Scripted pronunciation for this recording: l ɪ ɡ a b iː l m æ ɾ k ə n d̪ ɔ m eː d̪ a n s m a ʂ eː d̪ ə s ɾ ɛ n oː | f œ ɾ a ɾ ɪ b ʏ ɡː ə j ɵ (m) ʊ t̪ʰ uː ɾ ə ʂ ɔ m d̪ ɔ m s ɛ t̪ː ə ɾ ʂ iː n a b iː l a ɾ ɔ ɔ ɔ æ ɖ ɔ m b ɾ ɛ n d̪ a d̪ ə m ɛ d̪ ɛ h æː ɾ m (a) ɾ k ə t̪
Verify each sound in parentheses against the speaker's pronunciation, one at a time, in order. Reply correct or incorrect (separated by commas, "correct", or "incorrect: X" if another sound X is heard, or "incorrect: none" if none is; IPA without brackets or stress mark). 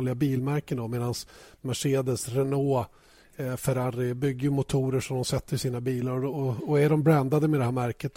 correct, incorrect: æ